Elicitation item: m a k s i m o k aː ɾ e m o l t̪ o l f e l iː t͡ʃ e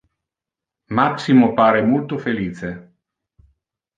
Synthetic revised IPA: m a k s i m o p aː ɾ e m o l t̪ o f e l iː t͡ʃ e